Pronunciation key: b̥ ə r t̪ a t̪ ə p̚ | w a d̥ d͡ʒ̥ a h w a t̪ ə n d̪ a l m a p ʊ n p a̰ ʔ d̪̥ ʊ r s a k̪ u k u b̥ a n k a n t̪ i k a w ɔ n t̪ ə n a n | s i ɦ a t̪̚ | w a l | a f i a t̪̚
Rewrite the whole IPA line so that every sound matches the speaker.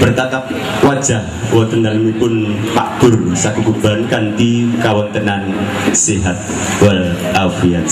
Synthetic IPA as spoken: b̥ ə r t̪ a t̪ a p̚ | w a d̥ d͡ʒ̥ a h w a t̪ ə n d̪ a l m i p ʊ n p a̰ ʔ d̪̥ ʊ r s a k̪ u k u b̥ a n k a n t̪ i k a w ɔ n t̪ ə n a n | s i ɦ a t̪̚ | w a l | a f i a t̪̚